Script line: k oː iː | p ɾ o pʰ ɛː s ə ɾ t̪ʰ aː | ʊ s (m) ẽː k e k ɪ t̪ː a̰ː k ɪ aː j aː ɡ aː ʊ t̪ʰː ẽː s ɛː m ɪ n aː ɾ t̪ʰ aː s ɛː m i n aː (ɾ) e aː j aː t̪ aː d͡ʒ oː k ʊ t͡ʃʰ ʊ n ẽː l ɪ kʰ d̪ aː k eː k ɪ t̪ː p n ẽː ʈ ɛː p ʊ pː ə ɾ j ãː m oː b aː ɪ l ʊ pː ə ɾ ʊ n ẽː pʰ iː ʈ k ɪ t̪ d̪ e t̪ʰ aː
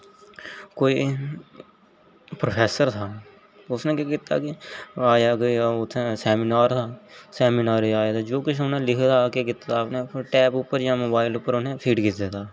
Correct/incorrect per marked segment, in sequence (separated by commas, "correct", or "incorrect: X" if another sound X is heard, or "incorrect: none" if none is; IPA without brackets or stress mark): incorrect: n, correct